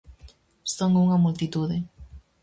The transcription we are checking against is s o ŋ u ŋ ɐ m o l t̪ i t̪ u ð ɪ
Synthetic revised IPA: s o ŋ u ŋ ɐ m u l t̪ i t̪ u ð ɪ